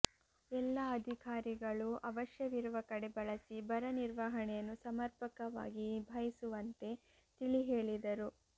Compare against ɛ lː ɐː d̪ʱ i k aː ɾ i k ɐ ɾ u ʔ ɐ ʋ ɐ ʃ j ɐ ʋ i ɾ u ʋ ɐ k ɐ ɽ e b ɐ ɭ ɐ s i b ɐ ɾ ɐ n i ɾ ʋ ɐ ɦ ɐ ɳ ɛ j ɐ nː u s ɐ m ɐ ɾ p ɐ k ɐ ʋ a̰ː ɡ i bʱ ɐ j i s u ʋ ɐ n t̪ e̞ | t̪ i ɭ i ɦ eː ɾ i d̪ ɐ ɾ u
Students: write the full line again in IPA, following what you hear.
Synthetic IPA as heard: ɛ lː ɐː d̪ʱ i k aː ɾ i ɡ ɐ ɭ u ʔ ɐ ʋ ɐ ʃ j ɐ ʋ i ɾ u ʋ ɐ k ɐ ɽ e b ɐ ɭ ɐ s i b ɐ ɾ ɐ n i ɾ ʋ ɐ ɦ ɐ ɳ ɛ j ɐ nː u s ɐ m ɐ ɾ p ɐ k ɐ ʋ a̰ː ɡ i bʱ ɐ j i s u ʋ ɐ n t̪ e̞ | t̪ i ɭ i ɦ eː ɭ i d̪ ɐ ɾ u